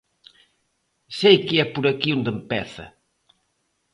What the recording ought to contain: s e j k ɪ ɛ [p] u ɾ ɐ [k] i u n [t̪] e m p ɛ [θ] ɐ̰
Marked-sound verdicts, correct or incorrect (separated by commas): correct, correct, incorrect, correct